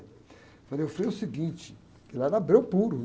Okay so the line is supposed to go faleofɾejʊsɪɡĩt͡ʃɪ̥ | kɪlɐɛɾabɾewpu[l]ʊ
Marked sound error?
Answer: yes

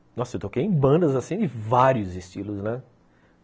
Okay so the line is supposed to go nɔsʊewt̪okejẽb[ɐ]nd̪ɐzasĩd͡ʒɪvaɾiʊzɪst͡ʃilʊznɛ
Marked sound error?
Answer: yes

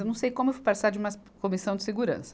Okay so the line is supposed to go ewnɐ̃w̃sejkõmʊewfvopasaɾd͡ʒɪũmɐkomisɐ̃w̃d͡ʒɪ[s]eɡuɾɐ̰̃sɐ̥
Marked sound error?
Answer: no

